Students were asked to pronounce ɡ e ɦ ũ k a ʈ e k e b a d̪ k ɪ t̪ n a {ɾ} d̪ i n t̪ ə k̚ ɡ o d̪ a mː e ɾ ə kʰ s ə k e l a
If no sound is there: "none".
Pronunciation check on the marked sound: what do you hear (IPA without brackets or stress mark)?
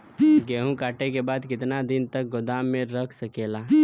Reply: none